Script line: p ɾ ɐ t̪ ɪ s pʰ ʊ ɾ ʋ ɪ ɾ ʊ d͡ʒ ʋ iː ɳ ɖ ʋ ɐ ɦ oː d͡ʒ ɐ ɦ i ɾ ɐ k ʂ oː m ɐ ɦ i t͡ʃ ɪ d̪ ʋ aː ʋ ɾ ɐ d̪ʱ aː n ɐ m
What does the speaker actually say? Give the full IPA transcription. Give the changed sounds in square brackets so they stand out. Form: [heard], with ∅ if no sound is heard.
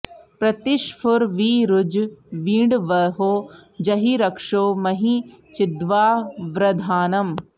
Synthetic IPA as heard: p ɾ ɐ t̪ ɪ [ʃ] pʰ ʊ ɾ ʋ [i] ɾ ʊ d͡ʒ ʋ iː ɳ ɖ ʋ ɐ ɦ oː d͡ʒ ɐ ɦ i ɾ ɐ k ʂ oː m ɐ ɦ i t͡ʃ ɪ d̪ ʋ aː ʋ ɾ ɐ d̪ʱ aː n ɐ m

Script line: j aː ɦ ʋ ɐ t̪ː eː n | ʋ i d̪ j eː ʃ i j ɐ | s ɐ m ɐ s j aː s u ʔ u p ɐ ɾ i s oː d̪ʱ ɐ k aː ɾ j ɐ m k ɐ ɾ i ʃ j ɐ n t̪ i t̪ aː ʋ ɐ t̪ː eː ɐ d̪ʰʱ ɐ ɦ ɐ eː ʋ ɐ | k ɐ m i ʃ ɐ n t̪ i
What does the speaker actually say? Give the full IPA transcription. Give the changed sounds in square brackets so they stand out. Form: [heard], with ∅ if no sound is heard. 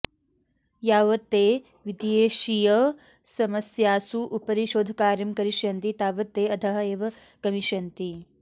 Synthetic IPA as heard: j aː [∅] ʋ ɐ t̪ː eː [∅] | ʋ i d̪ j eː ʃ i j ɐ | s ɐ m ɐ s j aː s u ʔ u p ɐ ɾ i [ʃ] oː d̪ʱ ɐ k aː ɾ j ɐ m k ɐ ɾ i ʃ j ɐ n t̪ i t̪ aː ʋ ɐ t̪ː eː ɐ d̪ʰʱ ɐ ɦ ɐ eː ʋ ɐ | k ɐ m i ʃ ɐ n t̪ i

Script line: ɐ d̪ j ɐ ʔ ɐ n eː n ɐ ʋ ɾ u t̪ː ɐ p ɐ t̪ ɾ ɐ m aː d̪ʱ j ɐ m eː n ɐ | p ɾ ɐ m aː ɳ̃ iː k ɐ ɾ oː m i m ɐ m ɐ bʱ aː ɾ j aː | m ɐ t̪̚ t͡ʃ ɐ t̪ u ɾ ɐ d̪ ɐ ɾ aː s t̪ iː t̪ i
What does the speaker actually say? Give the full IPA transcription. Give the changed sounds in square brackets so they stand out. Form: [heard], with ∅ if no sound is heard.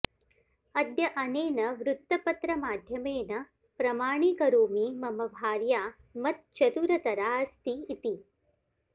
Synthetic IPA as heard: ɐ d̪ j ɐ ʔ ɐ n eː n ɐ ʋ ɾ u t̪ː ɐ p ɐ t̪ ɾ ɐ m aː d̪ʱ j ɐ m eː n ɐ | p ɾ ɐ m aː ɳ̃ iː k ɐ ɾ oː m i m ɐ m ɐ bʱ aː ɾ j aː | m ɐ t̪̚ t͡ʃ ɐ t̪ u ɾ ɐ [t̪] ɐ ɾ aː s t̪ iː t̪ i

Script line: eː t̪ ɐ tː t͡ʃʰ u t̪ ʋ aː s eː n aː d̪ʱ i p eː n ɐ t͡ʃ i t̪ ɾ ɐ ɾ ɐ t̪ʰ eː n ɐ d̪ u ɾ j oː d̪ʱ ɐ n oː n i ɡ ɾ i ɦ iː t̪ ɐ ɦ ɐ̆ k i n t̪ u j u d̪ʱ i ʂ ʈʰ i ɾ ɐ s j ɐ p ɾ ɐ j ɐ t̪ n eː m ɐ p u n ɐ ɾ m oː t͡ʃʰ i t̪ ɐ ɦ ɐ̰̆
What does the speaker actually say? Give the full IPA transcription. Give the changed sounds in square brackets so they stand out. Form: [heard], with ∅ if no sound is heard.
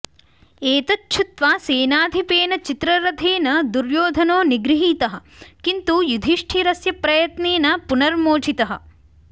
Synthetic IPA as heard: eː t̪ ɐ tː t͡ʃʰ u t̪ ʋ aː s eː n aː d̪ʱ i p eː n ɐ t͡ʃ i t̪ ɾ ɐ ɾ ɐ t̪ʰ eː n ɐ d̪ u ɾ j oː d̪ʱ ɐ n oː n i ɡ ɾ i ɦ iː t̪ ɐ ɦ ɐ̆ k i n t̪ u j u d̪ʱ i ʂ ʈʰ i ɾ ɐ s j ɐ p ɾ ɐ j ɐ t̪ n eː [n] ɐ p u n ɐ ɾ m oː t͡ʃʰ i t̪ ɐ ɦ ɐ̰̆

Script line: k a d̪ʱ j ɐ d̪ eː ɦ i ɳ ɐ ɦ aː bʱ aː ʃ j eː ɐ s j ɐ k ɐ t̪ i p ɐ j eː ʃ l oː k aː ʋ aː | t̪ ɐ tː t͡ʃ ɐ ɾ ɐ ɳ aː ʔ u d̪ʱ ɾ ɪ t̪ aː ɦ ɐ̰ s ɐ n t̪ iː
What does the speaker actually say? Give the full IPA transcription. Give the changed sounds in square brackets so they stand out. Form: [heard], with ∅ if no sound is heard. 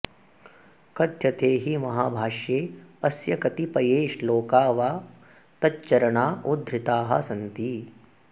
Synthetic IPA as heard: k [ɐ] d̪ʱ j ɐ [t̪] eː ɦ i [m] ɐ ɦ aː bʱ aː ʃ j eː ɐ s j ɐ k ɐ t̪ i p ɐ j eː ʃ l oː k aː ʋ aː | t̪ ɐ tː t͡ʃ ɐ ɾ ɐ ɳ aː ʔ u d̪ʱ ɾ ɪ t̪ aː ɦ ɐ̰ s ɐ n t̪ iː

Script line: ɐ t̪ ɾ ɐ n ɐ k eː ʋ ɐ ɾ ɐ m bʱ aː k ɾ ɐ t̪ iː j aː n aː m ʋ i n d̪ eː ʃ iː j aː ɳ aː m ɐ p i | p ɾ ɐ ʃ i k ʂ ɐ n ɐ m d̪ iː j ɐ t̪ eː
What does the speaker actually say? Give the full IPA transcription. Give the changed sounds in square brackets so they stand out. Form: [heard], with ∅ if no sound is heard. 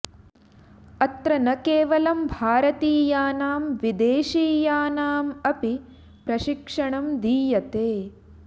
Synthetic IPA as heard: ɐ t̪ ɾ ɐ n ɐ k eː ʋ ɐ [l] ɐ m bʱ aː [∅] ɾ ɐ t̪ iː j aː n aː m ʋ i [∅] d̪ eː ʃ iː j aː [n] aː m ɐ p i | p ɾ ɐ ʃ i k ʂ ɐ [ɳ] ɐ m d̪ iː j ɐ t̪ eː

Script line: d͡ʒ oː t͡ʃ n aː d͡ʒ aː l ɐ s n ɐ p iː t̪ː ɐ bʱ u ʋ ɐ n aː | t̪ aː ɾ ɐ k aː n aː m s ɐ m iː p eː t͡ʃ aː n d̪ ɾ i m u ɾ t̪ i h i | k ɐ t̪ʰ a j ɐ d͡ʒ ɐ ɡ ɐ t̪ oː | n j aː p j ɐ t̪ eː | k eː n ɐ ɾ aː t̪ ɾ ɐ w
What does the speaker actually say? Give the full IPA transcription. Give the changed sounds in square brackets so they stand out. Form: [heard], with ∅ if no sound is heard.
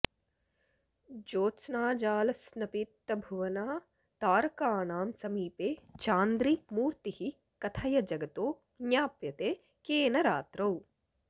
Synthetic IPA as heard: d͡ʒ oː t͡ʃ n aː d͡ʒ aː l ɐ s n ɐ p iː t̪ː ɐ bʱ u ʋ ɐ n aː | t̪ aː ɾ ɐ k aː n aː m s ɐ m iː p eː t͡ʃ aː n d̪ ɾ i m [uː] ɾ t̪ i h i | k ɐ t̪ʰ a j ɐ d͡ʒ ɐ ɡ ɐ t̪ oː | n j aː p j ɐ t̪ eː | k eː n ɐ ɾ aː t̪ ɾ ɐ w

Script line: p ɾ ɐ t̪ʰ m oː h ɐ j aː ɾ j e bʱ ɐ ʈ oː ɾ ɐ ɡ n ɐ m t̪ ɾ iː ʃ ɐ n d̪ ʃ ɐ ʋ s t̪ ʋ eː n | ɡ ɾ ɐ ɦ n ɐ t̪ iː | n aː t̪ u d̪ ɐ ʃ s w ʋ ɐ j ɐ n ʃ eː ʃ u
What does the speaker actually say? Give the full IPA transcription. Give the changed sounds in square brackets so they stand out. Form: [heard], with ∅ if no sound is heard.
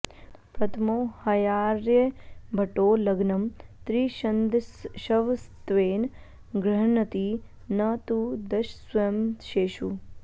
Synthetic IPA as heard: p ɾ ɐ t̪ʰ m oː h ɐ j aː ɾ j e bʱ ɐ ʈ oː [l] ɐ ɡ n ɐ m t̪ ɾ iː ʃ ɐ n d̪ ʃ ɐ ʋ s t̪ ʋ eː n | ɡ ɾ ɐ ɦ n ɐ t̪ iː | n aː t̪ u d̪ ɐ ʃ s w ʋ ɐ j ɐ [m] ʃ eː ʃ u

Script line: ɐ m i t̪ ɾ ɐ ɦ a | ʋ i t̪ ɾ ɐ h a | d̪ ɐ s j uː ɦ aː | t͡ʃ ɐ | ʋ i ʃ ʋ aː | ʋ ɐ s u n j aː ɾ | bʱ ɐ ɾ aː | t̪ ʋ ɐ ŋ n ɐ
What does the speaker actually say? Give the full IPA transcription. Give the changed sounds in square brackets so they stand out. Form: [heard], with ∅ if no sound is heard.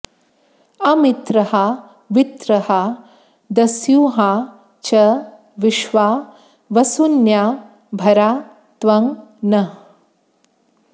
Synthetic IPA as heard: ɐ m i t̪ ɾ ɐ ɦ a | ʋ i t̪ ɾ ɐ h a | d̪ ɐ s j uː ɦ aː | t͡ʃ ɐ | ʋ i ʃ ʋ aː | ʋ ɐ s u n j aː [∅] | bʱ ɐ ɾ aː | t̪ ʋ ɐ ŋ n ɐ

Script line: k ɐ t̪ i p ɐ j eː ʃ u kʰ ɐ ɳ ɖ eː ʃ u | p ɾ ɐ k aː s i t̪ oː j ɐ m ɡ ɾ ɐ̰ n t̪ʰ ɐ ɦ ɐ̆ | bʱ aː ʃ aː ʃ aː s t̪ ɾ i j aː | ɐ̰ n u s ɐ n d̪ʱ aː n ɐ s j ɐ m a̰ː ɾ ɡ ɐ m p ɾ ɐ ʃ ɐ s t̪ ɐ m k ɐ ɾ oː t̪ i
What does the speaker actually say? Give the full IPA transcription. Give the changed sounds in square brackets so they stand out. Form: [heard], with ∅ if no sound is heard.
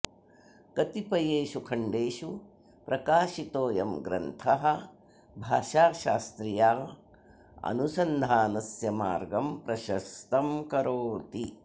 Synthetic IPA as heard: k ɐ t̪ i p ɐ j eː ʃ u kʰ ɐ ɳ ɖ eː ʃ u | p ɾ ɐ k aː [ʃ] i t̪ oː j ɐ m ɡ ɾ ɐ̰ n t̪ʰ ɐ ɦ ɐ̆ | bʱ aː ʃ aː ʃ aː s t̪ ɾ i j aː | ɐ̰ n u s ɐ n d̪ʱ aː n ɐ s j ɐ m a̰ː ɾ ɡ ɐ m p ɾ ɐ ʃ ɐ s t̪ ɐ m k ɐ ɾ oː t̪ i

